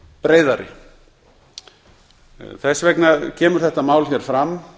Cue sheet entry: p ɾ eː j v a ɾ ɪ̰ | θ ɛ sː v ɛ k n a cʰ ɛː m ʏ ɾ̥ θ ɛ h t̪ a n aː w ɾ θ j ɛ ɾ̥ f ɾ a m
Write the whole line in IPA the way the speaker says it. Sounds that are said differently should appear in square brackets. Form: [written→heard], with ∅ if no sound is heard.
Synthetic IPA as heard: p ɾ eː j [v→ð] a ɾ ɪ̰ | θ ɛ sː v ɛ k n a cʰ ɛː m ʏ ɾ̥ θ ɛ h t̪ a [n→m] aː w [ɾ→l] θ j ɛ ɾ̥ f ɾ a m